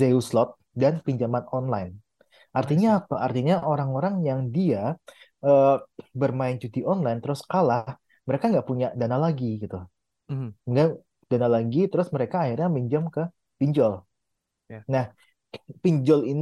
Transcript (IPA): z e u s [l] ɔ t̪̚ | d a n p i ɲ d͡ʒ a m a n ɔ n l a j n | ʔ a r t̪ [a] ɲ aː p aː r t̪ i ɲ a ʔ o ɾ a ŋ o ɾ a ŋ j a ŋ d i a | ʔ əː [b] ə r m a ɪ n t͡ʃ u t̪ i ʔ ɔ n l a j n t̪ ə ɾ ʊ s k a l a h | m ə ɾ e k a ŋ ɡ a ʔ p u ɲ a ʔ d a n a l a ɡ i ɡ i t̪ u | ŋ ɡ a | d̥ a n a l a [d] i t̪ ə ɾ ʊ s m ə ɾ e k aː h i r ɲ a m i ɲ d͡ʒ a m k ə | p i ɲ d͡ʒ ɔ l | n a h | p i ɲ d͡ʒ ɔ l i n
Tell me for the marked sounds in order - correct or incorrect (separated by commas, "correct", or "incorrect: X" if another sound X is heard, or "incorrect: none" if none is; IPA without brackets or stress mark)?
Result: correct, incorrect: i, correct, incorrect: ɡ